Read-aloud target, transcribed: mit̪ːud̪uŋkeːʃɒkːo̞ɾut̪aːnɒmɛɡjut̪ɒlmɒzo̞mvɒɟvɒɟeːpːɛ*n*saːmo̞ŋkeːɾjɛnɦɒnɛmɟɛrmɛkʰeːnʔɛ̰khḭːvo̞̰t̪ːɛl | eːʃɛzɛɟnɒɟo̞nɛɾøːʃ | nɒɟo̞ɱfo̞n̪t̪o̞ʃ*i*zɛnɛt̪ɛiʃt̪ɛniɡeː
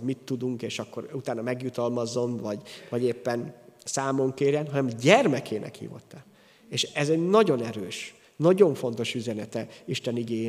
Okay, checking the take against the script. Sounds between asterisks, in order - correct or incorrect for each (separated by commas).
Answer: correct, incorrect